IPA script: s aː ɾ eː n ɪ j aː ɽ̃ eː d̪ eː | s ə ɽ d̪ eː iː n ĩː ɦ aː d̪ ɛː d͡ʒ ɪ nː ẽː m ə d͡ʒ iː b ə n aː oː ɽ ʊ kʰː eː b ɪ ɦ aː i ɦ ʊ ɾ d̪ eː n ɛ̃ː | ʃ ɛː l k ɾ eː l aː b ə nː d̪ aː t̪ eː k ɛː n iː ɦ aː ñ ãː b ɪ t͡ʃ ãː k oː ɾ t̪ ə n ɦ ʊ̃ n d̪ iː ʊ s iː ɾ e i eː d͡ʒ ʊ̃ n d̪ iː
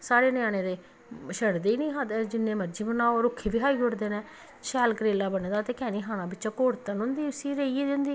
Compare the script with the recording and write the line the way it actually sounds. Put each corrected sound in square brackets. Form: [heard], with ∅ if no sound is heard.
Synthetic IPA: s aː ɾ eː n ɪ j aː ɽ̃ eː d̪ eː | [ʃ] ə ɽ d̪ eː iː n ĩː ɦ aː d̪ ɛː d͡ʒ ɪ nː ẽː m ə d͡ʒ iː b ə n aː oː [ɾ] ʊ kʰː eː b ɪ ɦ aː i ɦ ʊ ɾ d̪ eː n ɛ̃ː | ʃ ɛː l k ɾ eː l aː b ə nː d̪ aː t̪ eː k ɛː n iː ɦ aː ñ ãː b ɪ t͡ʃ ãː k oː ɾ t̪ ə n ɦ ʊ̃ n d̪ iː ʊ s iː ɾ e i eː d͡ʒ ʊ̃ n d̪ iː